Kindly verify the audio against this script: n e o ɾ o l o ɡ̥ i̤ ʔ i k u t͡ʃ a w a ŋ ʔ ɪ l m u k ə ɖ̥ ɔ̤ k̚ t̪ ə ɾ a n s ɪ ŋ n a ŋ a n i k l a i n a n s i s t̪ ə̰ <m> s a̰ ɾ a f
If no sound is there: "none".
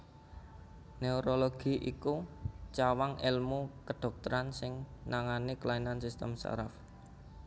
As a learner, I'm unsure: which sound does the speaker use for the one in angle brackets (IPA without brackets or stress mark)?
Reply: m